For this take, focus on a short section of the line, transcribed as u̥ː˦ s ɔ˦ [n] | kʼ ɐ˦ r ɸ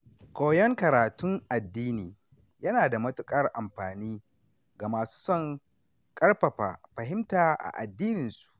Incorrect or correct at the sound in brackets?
incorrect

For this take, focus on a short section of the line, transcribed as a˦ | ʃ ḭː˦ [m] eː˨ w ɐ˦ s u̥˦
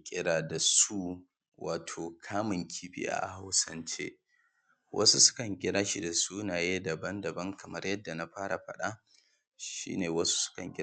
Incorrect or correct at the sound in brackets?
incorrect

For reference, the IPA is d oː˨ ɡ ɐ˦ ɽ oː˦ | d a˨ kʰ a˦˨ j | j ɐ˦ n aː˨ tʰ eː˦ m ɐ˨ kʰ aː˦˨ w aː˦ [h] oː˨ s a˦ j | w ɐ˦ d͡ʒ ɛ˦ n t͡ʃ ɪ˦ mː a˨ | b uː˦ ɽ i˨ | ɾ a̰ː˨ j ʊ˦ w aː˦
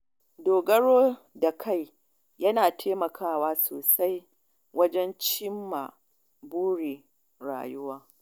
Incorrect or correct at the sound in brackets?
incorrect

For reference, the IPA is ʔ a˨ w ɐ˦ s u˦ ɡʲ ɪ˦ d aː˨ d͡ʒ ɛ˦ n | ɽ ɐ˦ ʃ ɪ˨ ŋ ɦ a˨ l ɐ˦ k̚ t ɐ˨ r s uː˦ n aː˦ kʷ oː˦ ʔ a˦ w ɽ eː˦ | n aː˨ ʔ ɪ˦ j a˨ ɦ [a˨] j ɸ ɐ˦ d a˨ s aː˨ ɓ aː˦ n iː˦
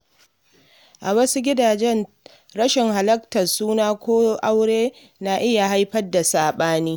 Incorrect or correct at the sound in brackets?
incorrect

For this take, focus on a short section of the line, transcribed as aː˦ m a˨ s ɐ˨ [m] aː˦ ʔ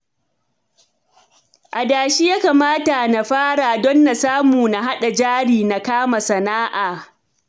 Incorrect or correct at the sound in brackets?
incorrect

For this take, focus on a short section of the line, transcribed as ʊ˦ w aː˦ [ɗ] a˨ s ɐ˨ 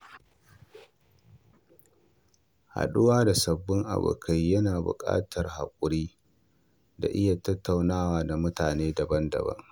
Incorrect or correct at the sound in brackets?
incorrect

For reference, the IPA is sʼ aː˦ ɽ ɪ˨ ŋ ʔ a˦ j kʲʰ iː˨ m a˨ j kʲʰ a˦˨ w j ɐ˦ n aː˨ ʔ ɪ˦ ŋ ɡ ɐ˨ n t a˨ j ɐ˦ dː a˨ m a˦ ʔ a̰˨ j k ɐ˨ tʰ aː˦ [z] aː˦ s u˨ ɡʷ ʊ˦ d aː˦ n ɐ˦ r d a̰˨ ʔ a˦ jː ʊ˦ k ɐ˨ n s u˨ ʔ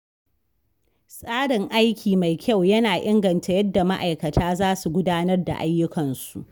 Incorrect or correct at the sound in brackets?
correct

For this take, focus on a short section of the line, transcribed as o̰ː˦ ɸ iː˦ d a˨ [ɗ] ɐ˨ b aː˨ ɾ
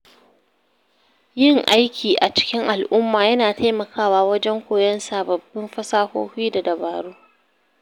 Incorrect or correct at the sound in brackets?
incorrect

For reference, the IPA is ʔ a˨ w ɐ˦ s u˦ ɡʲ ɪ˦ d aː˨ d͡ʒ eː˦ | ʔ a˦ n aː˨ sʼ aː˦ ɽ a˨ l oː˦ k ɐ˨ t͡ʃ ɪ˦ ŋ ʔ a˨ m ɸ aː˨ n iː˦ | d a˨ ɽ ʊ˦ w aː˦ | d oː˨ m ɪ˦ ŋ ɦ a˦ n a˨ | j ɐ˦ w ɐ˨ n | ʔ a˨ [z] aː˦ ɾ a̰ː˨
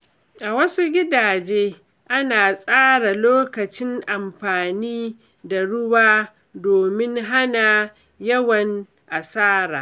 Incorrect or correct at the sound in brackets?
incorrect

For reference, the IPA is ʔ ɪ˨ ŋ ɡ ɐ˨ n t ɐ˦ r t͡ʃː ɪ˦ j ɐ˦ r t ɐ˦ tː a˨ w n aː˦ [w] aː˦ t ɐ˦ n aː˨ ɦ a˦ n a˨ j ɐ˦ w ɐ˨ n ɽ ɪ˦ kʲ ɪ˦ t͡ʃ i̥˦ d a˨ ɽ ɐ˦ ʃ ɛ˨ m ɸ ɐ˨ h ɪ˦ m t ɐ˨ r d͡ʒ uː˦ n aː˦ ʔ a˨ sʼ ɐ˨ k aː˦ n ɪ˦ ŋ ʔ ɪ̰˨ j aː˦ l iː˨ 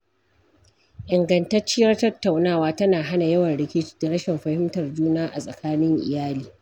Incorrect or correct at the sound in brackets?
correct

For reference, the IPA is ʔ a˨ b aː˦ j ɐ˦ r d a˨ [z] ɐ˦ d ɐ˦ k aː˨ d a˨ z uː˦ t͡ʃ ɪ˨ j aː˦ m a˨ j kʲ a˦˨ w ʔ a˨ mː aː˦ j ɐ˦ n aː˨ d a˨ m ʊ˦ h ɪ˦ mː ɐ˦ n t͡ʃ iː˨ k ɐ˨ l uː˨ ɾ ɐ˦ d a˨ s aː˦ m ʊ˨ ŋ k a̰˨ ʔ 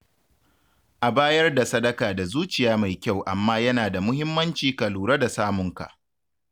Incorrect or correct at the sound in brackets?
incorrect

